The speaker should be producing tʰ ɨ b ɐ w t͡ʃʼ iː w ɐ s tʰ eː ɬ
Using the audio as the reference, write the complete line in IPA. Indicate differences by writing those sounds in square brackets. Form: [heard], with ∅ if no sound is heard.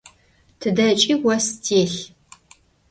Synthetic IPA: tʰ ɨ [d] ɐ [∅] t͡ʃʼ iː w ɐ s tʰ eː ɬ